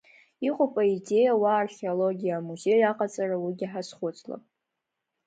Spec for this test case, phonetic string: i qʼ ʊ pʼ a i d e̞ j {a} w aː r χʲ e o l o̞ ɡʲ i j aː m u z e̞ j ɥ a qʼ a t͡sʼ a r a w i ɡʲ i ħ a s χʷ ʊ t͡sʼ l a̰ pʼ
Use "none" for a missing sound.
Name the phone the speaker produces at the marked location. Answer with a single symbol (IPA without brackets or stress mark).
a